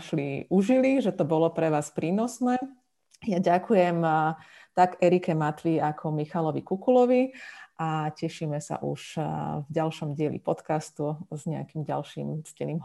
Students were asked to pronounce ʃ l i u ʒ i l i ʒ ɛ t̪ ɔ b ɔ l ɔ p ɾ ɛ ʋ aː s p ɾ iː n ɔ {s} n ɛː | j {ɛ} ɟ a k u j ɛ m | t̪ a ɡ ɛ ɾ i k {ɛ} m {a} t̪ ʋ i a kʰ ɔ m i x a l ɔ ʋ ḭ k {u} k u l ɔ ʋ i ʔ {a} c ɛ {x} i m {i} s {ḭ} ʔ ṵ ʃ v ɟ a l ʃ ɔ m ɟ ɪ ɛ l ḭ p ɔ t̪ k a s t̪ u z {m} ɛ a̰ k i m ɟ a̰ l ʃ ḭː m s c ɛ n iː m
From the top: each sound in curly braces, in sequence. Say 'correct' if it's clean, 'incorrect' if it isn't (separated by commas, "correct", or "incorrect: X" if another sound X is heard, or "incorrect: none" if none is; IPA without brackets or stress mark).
correct, incorrect: a, correct, correct, correct, correct, incorrect: ʃ, incorrect: ɛ, incorrect: a̰, incorrect: ɲ